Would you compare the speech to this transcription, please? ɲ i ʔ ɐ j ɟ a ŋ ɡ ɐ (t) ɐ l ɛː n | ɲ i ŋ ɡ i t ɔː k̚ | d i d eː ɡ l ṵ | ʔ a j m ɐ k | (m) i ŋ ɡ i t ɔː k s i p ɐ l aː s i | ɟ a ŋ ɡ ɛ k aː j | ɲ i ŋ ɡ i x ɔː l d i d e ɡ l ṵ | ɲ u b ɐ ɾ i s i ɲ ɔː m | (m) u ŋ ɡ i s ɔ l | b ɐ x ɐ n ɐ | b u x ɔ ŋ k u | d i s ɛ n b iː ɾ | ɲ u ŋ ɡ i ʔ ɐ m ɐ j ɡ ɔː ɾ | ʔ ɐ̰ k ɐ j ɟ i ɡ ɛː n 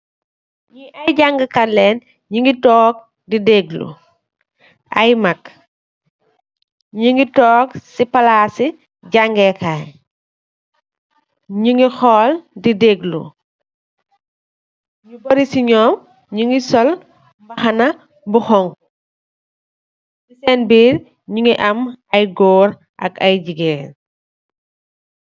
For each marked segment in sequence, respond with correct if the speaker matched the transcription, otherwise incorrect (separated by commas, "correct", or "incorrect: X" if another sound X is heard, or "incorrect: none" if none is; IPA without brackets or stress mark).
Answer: incorrect: k, incorrect: ɲ, incorrect: ɲ